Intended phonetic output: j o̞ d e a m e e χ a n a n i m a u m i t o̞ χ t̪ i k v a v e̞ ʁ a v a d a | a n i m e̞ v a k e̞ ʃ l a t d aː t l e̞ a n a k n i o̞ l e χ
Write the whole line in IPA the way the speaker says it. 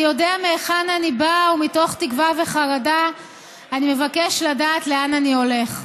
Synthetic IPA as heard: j o̞ d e a m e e χ a n a n i b a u m i t o̞ χ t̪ i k v a v e̞ χ a ʁ a d a | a n i m e̞ v a k e̞ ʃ l a d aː t l e̞ a n a n i o̞ l e χ